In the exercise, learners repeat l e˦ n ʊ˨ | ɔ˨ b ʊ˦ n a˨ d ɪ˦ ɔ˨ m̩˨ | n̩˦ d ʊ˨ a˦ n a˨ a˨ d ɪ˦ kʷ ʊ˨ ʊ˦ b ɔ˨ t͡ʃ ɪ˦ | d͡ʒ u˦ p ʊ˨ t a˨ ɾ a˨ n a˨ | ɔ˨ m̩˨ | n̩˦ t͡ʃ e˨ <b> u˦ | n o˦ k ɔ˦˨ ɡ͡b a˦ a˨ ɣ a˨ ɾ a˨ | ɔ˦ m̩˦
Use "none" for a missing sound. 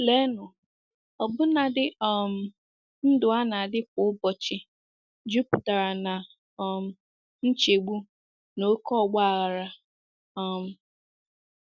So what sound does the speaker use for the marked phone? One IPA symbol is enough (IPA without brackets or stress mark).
ɡ͡b